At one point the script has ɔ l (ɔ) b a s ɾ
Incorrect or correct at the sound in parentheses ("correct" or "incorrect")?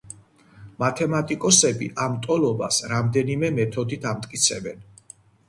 correct